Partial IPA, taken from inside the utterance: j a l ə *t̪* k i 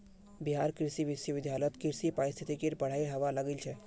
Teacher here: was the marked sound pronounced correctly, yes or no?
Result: yes